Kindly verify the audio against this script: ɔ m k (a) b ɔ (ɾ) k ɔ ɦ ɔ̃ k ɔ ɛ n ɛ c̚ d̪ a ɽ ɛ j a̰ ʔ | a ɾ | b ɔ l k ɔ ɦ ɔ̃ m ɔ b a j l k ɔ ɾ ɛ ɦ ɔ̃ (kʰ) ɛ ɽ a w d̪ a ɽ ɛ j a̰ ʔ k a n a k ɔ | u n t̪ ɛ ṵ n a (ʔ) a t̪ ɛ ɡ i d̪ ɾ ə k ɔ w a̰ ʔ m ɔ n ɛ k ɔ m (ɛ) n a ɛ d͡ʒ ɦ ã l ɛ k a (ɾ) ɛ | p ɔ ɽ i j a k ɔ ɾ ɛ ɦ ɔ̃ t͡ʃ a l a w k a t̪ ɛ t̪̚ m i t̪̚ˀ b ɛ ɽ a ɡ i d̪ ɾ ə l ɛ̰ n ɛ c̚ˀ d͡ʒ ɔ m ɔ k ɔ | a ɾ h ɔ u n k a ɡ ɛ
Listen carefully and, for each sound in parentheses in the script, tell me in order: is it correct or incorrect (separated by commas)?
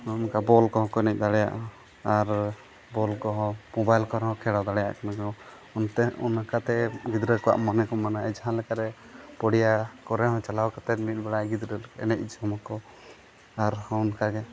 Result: correct, incorrect, correct, incorrect, incorrect, correct